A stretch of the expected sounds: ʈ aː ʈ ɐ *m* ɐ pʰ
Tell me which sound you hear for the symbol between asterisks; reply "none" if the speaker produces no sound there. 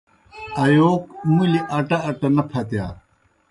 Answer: n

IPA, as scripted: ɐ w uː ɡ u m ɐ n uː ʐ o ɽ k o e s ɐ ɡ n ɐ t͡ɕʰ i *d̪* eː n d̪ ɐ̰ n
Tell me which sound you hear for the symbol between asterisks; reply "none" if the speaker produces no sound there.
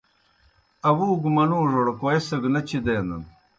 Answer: d̪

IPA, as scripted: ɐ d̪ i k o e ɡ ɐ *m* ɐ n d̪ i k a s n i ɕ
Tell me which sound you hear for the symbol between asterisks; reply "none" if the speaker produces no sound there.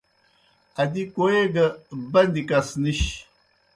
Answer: b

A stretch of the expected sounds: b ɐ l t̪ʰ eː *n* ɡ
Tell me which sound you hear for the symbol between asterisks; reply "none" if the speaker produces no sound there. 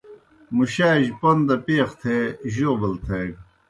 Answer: none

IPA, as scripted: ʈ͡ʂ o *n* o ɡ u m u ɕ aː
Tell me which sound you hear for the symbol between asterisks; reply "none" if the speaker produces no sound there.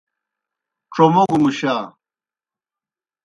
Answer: m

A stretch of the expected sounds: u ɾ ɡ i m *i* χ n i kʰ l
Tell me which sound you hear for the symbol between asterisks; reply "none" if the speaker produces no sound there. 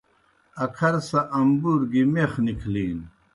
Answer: e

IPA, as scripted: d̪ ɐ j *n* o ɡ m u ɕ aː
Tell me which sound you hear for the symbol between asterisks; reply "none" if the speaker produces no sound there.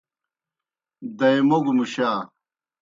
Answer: m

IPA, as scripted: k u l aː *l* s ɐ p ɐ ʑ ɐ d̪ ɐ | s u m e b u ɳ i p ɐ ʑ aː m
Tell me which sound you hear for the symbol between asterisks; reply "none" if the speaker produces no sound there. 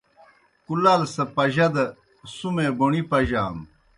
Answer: l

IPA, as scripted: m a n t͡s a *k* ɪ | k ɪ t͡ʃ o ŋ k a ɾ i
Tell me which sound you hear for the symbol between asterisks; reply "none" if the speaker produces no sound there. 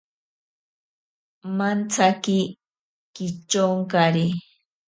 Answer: k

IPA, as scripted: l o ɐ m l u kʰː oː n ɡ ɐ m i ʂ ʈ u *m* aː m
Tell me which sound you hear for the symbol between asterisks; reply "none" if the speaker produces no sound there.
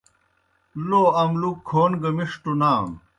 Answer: n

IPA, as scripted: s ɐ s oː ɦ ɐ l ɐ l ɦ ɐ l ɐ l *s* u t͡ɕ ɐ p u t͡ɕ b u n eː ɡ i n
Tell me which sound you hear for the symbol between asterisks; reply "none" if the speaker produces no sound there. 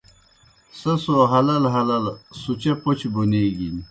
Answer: s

